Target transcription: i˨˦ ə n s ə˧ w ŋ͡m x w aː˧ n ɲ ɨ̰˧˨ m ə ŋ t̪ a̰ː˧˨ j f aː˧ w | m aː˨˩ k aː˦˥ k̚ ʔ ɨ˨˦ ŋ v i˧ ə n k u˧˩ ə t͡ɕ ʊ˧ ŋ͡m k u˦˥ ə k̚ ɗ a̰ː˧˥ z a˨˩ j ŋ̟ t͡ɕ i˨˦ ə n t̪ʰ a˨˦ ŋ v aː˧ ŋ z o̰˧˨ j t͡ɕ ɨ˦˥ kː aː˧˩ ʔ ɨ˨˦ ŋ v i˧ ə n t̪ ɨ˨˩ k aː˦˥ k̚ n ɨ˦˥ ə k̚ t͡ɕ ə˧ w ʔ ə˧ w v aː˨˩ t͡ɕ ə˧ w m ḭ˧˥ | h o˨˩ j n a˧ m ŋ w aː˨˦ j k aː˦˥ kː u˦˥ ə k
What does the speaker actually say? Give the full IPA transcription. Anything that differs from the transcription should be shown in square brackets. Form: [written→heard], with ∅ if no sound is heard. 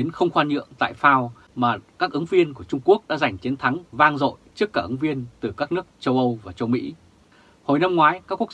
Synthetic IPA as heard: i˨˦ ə n [s→x] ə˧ w ŋ͡m x w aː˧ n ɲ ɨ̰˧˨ [m→∅] ə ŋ t̪ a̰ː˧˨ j f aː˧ w | m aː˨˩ k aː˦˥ k̚ ʔ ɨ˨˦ ŋ v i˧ ə n k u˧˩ ə t͡ɕ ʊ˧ ŋ͡m k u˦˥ ə k̚ ɗ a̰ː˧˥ z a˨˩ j ŋ̟ t͡ɕ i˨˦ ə n t̪ʰ a˨˦ ŋ v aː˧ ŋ z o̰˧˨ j t͡ɕ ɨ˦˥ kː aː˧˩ ʔ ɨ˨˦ ŋ v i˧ ə n t̪ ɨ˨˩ k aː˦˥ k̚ n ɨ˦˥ ə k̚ t͡ɕ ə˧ w ʔ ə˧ w v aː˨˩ t͡ɕ ə˧ w m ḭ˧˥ | h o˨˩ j n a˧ m ŋ w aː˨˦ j k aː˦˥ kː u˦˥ ə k